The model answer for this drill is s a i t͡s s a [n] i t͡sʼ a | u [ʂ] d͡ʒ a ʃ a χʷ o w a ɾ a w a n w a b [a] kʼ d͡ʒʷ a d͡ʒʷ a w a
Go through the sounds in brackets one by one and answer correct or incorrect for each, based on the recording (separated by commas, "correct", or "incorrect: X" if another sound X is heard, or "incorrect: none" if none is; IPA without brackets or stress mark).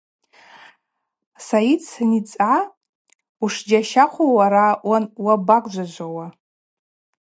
correct, correct, correct